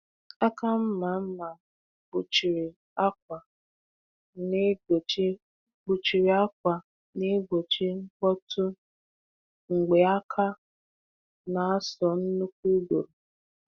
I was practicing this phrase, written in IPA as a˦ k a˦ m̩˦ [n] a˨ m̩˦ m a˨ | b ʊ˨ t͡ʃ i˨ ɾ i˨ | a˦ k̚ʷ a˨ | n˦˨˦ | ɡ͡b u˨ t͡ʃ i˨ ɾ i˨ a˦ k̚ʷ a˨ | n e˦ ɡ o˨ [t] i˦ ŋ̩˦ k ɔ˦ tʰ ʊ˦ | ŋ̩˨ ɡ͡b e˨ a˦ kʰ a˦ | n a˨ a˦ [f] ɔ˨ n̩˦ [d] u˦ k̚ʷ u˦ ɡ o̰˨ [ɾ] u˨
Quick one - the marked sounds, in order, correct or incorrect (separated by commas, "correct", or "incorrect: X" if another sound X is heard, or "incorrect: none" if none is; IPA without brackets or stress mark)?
incorrect: m, incorrect: t͡ʃ, incorrect: s, incorrect: n, correct